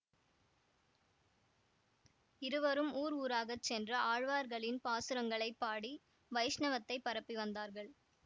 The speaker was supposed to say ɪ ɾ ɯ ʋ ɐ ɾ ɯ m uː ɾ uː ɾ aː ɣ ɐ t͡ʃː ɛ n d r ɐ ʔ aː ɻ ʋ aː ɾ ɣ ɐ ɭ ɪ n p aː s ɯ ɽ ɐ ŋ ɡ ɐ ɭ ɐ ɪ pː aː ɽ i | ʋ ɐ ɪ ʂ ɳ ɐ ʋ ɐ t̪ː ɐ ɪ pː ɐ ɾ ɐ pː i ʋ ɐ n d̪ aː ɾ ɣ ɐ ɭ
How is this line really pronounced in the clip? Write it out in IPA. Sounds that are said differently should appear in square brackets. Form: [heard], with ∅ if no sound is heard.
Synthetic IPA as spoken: ɪ ɾ ɯ ʋ ɐ ɾ ɯ m uː ɾ uː ɾ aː ɣ ɐ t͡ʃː ɛ n d r ɐ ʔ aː ɻ ʋ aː ɾ ɣ ɐ ɭ ɪ n p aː s ɯ [ɾ] ɐ ŋ ɡ ɐ ɭ ɐ ɪ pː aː ɽ i | ʋ ɐ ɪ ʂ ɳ ɐ ʋ ɐ t̪ː ɐ ɪ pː ɐ ɾ ɐ pː i ʋ ɐ n d̪ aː ɾ ɣ ɐ ɭ